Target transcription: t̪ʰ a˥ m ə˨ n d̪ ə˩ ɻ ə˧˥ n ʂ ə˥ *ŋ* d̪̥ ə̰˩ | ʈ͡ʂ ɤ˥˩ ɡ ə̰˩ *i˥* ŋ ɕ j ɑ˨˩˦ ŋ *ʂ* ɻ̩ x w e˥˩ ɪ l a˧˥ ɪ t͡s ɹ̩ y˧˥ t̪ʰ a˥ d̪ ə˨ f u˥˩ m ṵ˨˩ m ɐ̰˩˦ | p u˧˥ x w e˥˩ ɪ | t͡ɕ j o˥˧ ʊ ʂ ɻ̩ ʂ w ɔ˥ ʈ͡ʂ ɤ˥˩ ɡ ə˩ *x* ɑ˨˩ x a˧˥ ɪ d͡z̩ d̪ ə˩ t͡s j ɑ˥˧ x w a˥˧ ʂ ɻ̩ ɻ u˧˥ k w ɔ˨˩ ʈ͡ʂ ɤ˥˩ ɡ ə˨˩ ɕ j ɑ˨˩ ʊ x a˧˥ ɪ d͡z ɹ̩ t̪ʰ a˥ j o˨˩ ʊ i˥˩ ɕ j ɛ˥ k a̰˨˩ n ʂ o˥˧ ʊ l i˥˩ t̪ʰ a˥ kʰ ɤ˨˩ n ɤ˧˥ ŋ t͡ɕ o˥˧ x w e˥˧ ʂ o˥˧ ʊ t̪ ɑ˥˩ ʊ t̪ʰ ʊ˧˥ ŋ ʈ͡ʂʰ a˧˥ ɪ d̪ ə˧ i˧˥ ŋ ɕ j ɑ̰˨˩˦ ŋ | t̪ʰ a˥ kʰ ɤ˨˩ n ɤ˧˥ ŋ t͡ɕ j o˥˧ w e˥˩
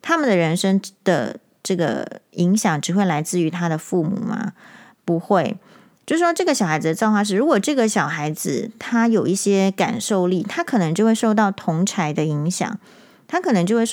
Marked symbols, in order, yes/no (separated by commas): yes, no, no, no